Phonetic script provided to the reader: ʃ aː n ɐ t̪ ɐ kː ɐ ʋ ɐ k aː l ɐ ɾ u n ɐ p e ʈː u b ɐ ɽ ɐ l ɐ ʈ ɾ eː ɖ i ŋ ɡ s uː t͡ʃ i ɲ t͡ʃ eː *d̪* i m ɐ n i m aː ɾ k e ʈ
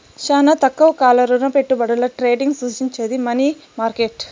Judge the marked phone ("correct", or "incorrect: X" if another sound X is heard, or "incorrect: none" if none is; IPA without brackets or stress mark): correct